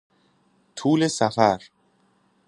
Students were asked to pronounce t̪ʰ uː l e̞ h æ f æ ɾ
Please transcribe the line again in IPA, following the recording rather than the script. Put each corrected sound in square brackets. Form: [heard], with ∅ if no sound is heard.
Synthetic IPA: t̪ʰ uː l e̞ [s] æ f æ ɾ